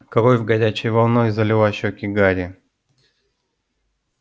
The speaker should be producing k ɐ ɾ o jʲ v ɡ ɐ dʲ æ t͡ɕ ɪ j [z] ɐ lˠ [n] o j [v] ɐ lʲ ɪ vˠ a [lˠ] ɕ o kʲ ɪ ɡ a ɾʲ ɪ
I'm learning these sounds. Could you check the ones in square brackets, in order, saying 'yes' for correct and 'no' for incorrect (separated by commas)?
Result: no, yes, no, no